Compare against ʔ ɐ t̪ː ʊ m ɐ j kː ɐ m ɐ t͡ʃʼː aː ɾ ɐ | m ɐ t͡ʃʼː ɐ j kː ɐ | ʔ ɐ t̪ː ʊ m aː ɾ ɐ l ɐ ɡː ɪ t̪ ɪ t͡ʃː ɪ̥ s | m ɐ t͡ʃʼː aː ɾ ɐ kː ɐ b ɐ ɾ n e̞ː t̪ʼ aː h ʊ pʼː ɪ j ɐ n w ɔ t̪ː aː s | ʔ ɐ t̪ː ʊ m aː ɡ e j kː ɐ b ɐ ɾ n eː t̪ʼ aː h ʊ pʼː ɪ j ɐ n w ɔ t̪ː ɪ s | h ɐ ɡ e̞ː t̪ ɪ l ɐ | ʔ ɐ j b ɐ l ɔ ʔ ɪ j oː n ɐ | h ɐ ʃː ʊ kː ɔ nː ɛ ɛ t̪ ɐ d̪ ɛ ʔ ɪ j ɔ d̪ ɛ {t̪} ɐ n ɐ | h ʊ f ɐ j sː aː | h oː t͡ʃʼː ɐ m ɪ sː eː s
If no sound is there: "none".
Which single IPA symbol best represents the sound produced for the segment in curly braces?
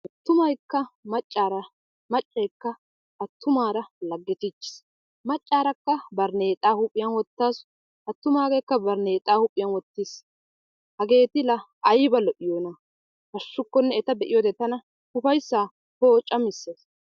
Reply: t̪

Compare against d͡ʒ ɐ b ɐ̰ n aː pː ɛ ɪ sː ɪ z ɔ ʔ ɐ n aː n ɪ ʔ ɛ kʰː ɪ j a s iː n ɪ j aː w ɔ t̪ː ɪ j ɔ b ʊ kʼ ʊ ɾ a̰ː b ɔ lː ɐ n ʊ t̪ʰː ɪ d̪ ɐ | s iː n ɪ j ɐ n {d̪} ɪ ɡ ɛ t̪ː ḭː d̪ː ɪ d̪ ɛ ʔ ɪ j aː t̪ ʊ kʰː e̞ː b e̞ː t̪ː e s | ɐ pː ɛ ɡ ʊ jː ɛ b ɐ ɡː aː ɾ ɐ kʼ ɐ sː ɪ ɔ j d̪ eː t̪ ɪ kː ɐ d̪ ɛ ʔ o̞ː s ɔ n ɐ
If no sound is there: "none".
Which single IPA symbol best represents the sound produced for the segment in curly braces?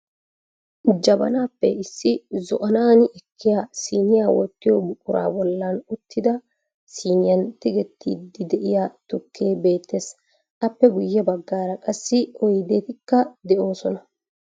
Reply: t̪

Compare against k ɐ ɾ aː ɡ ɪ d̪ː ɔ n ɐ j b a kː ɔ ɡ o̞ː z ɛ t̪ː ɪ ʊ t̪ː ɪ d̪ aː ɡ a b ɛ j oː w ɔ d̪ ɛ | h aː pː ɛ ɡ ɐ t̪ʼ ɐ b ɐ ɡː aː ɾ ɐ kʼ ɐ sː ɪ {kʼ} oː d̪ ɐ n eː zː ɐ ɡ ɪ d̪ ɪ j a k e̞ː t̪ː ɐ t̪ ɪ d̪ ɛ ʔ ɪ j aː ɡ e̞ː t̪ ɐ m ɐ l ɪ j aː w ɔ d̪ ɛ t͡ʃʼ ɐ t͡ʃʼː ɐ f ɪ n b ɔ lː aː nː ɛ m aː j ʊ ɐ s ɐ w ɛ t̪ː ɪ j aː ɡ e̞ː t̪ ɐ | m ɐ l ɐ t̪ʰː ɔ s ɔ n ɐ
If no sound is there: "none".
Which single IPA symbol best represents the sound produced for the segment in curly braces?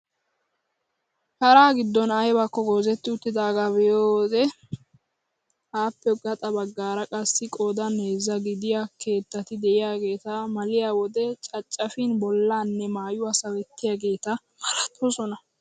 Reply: kʼ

